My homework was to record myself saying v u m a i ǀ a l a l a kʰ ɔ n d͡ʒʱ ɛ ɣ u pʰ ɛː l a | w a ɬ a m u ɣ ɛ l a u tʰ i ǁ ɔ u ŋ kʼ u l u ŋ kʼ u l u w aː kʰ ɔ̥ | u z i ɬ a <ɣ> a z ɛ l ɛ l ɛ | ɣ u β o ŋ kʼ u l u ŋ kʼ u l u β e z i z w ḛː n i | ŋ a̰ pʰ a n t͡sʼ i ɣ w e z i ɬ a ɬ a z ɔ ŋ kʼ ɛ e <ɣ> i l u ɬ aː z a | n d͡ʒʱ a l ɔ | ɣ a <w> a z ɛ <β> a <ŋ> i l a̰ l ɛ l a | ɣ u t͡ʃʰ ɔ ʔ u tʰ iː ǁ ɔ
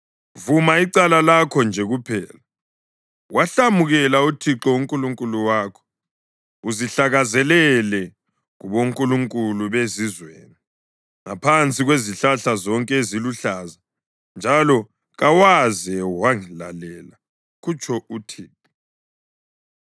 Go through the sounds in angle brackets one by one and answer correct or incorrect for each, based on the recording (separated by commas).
correct, incorrect, correct, incorrect, correct